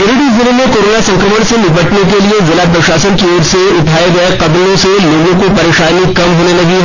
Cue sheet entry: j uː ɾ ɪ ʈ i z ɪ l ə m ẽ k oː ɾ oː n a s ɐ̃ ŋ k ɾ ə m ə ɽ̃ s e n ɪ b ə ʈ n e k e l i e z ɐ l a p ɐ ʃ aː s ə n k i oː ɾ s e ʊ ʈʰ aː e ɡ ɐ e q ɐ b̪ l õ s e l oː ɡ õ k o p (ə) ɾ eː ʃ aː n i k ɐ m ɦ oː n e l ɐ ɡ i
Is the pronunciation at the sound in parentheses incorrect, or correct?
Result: incorrect